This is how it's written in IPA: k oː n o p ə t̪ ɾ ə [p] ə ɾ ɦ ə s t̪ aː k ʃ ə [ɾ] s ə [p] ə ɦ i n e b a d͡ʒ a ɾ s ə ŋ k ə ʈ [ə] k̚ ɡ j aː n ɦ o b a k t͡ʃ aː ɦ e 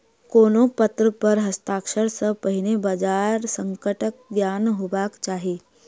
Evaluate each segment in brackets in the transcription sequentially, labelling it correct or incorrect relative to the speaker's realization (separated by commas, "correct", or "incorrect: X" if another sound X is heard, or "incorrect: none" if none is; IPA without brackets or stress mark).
correct, correct, correct, correct